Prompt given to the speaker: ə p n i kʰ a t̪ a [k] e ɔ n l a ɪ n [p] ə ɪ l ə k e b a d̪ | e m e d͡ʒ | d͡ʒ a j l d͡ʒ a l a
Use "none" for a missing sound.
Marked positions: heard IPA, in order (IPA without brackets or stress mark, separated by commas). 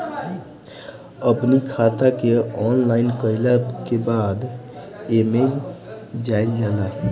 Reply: k, k